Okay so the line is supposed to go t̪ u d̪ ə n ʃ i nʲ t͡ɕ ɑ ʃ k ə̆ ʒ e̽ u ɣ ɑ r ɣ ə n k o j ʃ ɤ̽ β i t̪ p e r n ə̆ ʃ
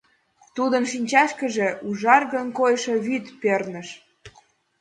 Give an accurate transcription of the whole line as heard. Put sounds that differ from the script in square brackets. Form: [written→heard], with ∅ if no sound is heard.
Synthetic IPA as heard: t̪ u d̪ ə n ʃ i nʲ t͡ɕ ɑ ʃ k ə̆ ʒ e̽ u [ɣ→ʒ] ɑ r ɣ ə n k o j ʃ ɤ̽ β [i→y] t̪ p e r n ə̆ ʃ